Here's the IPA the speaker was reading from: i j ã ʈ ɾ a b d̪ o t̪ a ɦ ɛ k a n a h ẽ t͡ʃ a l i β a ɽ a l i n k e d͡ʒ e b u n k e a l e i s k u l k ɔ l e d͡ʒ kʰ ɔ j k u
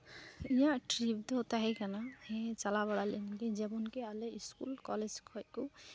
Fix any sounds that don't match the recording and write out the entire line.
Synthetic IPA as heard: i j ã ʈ ɾ i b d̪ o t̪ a ɦ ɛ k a n a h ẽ t͡ʃ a l a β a ɽ a l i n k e d͡ʒ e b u n k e a l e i s k u l k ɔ l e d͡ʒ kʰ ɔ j k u